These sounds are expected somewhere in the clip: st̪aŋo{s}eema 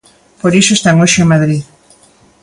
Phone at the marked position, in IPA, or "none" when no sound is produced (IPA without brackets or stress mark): ʃ